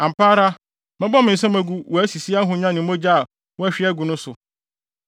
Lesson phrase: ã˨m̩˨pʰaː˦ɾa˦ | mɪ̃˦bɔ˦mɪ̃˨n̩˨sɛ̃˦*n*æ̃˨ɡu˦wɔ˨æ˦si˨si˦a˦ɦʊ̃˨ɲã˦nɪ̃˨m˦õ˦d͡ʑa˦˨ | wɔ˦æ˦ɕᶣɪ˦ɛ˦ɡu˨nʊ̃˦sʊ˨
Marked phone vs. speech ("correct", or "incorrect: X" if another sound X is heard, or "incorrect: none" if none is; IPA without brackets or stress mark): incorrect: m